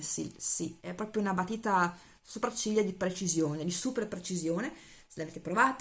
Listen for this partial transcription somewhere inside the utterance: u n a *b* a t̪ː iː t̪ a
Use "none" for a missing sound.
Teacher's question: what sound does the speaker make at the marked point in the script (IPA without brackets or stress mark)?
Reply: b